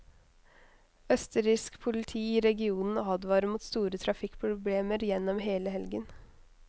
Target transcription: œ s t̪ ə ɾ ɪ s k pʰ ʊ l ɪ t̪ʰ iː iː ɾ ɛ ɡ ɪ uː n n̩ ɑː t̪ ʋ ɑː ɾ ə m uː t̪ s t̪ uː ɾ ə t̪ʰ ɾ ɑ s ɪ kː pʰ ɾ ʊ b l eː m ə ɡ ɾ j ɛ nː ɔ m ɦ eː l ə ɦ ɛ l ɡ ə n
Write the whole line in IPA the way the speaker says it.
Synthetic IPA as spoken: œ s t̪ ə ɾ ɪ s k pʰ ʊ l ɪ t̪ʰ iː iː ɾ ɛ ɡ ɪ uː n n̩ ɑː d̪ ʋ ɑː ɾ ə m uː t̪ s t̪ uː ɾ ə t̪ʰ ɾ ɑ f ɪ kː pʰ ɾ ʊ b l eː m ə ɾ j ɛ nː ɔ m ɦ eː l ə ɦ ɛ l ɡ ə n

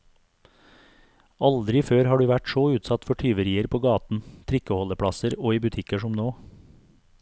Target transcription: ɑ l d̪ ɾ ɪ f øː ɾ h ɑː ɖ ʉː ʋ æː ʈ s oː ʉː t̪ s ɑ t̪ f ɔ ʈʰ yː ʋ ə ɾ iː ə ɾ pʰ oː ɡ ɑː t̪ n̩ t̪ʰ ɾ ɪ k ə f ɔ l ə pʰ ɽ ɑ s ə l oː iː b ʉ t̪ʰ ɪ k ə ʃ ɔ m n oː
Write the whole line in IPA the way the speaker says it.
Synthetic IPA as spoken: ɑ l d̪ ɾ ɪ f øː ɾ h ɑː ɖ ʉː ʋ æ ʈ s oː ʉː t̪ s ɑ t̪ f ɔ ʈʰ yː ʋ ə ɾ iː ə ɾ pʰ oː ɡ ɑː t̪ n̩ t̪ʰ ɾ ɪ k ə h ɔ l ə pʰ ɽ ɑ s ə ɾ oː iː b ʉ t̪ʰ ɪ k ə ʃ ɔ m n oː

